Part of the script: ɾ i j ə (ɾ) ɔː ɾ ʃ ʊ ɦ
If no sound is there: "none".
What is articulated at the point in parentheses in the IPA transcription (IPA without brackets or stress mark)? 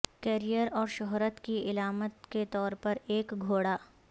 ɾ